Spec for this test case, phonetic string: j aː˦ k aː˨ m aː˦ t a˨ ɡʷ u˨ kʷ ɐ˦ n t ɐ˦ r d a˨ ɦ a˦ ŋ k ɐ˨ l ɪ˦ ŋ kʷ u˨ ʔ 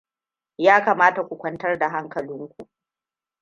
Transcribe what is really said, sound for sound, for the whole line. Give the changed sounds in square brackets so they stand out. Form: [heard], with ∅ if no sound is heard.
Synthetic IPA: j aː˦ k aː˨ m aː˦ t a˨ [kʷ] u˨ kʷ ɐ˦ n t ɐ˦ r d a˨ ɦ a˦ ŋ k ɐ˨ l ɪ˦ ŋ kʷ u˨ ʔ